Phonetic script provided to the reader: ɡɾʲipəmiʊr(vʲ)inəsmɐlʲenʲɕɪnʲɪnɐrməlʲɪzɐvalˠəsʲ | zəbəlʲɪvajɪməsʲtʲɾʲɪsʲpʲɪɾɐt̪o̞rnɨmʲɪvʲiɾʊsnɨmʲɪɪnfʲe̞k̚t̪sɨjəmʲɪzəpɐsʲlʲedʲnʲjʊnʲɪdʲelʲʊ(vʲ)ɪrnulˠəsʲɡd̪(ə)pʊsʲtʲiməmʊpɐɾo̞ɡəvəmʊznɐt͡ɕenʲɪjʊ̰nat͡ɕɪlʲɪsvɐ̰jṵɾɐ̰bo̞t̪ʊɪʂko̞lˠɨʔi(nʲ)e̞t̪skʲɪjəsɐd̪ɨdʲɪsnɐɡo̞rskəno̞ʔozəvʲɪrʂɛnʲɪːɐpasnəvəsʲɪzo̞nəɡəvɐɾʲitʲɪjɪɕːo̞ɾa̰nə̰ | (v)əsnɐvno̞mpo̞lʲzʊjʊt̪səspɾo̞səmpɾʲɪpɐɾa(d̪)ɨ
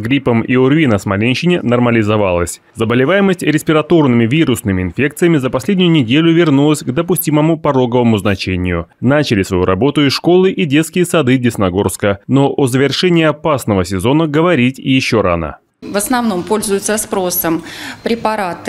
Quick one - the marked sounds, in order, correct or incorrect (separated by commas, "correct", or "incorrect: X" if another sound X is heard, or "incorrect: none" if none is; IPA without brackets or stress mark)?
correct, correct, correct, incorrect: dʲ, correct, incorrect: t̪